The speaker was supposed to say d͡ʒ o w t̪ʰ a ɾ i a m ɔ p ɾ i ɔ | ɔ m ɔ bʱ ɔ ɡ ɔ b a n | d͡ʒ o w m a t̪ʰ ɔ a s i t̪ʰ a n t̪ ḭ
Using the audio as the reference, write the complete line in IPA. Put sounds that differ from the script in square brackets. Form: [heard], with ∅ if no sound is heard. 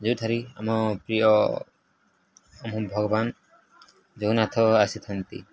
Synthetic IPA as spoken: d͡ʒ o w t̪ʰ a ɾ i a m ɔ p ɾ i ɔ | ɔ m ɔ bʱ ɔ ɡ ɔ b a n | d͡ʒ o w [n] a t̪ʰ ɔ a s i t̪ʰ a n t̪ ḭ